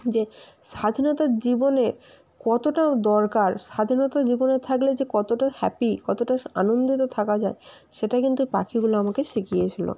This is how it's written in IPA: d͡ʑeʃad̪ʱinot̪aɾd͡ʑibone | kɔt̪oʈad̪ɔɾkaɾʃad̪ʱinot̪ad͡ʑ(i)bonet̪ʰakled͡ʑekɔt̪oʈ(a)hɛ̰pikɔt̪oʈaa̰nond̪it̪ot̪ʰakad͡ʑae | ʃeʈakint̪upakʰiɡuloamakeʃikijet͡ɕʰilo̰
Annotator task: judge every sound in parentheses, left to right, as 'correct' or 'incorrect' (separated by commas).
correct, correct